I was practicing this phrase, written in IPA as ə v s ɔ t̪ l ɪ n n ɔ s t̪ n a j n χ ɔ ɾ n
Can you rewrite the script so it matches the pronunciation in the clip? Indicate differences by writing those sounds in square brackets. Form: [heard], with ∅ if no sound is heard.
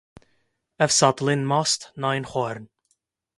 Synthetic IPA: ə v s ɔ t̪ l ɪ n [m] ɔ s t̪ n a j n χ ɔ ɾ n